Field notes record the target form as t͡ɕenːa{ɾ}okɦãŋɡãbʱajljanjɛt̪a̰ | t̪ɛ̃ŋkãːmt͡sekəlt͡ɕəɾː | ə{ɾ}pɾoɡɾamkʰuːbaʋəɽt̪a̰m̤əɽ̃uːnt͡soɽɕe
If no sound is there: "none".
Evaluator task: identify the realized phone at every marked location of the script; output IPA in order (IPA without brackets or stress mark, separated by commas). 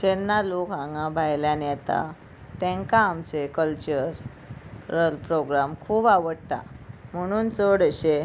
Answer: l, l